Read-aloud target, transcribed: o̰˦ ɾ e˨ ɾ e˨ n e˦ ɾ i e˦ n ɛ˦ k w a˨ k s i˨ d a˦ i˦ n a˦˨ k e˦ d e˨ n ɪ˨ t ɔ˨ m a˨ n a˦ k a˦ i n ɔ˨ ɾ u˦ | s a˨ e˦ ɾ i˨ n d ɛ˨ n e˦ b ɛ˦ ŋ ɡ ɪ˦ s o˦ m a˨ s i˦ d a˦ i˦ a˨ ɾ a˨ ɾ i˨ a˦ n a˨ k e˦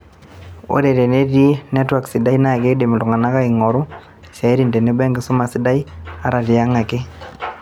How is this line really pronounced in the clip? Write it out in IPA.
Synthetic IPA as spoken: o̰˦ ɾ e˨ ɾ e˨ n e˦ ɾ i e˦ n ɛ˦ t w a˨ k s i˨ d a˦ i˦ n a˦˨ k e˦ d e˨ m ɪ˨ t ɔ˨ ŋ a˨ n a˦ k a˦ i ŋ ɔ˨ ɾ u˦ | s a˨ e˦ ɾ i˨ n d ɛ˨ n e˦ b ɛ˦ ŋ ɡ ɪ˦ s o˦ m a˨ s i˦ d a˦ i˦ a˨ ɾ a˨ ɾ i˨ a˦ ŋ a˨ k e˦